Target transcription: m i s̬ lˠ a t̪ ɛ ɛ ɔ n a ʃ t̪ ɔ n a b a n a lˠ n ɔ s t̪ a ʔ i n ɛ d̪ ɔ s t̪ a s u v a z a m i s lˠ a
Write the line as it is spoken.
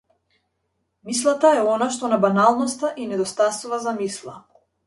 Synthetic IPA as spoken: m i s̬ lˠ a t̪ a ɛ ɔ n a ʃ t̪ ɔ n a b a n a lˠ n ɔ s t̪ a ʔ i n ɛ d̪ ɔ s t̪ a s u v a z a m i s lˠ a